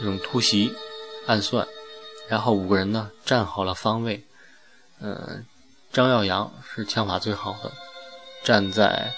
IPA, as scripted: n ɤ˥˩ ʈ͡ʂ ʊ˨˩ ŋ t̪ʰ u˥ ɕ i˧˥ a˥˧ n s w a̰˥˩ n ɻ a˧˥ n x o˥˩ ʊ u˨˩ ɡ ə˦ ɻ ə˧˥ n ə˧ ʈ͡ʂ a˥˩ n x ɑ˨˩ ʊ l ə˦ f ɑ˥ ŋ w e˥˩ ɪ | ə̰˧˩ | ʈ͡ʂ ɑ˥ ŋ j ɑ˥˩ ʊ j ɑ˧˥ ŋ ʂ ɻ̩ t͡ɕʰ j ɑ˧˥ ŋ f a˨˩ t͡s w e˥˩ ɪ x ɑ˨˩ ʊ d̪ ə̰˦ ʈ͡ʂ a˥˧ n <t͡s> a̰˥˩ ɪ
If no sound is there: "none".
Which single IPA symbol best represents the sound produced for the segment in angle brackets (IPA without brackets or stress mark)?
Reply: t͡s